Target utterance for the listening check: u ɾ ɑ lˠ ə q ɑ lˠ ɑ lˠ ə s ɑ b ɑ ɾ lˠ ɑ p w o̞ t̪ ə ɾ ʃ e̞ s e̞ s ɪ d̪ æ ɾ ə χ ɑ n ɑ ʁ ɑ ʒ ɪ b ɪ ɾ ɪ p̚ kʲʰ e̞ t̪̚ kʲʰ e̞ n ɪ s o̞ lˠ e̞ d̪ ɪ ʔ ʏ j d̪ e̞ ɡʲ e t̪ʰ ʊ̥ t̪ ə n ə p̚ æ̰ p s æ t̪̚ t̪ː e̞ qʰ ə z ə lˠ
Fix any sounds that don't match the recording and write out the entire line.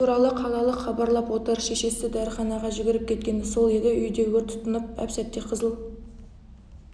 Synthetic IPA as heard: u ɾ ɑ lˠ ə qʰ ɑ lˠ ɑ lˠ ə χ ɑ b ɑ ɾ lˠ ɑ p w o̞ t̪ ə ɾ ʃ e̞ ʃ e̞ s ɪ d̪ æ ɾ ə χ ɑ n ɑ ʁ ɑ ʒ ɪ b ɪ ɾ ɪ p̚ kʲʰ e̞ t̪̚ kʲ e̞ n ɪ s o̞ lˠ e̞ d̪ ɪ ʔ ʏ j d̪ e̞ ɡʲ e t̪ʰ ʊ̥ t̪ ə n ə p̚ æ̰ p s æ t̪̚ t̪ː e̞ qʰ ə z ə lˠ